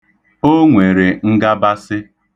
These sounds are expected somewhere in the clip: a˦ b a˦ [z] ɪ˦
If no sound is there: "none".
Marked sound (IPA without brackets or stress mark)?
s